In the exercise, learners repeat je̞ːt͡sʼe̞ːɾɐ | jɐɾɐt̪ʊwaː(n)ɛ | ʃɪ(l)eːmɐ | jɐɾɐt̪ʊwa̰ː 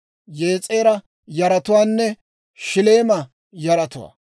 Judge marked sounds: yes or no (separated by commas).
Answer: no, yes